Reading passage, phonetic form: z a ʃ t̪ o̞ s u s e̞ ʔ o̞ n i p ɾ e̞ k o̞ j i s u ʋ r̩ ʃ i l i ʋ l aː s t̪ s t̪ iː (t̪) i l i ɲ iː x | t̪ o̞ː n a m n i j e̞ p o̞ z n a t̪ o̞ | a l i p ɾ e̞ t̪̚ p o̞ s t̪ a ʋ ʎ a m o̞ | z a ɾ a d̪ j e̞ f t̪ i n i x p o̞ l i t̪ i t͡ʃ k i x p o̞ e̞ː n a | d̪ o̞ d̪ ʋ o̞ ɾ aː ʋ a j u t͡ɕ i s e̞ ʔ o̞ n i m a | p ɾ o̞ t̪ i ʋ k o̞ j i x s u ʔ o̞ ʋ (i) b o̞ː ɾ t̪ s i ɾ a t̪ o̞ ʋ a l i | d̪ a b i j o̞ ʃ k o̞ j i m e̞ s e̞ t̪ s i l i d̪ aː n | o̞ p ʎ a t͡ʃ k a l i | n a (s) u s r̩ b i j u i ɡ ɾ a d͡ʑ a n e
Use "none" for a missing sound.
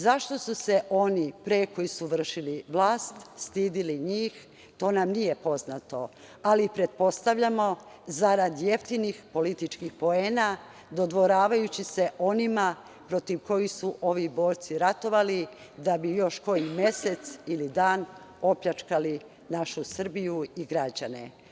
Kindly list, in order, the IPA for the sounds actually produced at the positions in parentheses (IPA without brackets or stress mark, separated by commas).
d̪, i, ʃ